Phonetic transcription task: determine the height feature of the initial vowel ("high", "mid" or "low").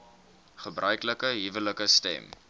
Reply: mid